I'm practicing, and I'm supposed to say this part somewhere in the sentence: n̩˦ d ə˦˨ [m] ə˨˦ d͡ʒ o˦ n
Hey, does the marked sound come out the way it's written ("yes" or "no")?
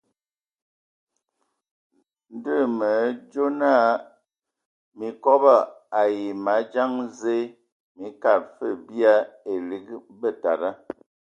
yes